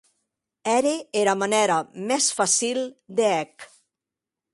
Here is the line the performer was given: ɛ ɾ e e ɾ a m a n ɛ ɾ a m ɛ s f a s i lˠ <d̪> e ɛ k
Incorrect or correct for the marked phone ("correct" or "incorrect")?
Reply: correct